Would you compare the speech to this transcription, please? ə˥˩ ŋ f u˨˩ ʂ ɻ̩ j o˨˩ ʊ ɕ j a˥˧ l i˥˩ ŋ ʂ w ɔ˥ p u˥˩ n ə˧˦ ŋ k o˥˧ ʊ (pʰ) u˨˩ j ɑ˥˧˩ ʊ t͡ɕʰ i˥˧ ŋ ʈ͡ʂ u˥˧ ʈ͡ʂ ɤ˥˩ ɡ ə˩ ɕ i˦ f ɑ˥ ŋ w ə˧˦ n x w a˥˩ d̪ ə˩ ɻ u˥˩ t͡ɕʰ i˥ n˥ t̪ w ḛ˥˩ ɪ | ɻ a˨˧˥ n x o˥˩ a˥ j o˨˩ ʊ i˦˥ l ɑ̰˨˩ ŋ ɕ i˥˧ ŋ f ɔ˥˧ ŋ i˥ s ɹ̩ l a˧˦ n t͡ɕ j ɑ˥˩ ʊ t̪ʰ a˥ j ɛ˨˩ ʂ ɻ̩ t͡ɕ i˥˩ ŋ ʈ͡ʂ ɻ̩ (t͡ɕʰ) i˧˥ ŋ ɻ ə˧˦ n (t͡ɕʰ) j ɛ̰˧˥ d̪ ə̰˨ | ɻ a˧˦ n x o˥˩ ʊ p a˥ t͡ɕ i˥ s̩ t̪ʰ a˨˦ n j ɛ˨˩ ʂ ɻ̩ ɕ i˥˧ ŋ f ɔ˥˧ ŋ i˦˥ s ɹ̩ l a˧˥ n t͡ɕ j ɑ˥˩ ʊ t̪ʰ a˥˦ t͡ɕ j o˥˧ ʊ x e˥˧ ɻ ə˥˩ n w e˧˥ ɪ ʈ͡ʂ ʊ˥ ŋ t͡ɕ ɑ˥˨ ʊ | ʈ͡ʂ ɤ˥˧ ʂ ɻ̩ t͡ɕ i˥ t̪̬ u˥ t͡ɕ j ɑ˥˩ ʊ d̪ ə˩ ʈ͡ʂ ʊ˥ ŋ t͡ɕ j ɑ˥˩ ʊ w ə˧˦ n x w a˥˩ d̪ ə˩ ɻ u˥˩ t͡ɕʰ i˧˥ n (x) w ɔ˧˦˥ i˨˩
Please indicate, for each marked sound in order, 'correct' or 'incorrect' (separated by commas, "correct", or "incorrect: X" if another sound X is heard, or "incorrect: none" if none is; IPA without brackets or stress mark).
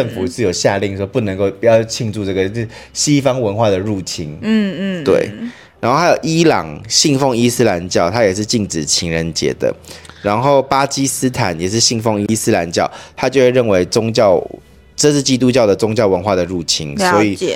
incorrect: p, correct, incorrect: t͡ɕ, incorrect: s